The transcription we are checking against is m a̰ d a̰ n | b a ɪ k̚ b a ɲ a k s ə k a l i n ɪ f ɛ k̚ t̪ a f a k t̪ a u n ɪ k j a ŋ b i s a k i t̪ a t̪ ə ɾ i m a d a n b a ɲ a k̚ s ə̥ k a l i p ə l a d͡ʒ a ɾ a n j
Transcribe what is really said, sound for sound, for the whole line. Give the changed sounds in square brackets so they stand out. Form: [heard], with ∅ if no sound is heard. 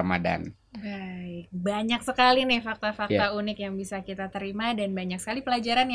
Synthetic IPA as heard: m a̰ d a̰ n | b a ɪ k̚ b a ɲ a k s ə k a l i n ɪ f [a] k̚ t̪ a f a k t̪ a u n ɪ k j a ŋ b i s a k i t̪ a t̪ ə ɾ i m a d a n b a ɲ a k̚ s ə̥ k a l i p ə l a d͡ʒ a ɾ a n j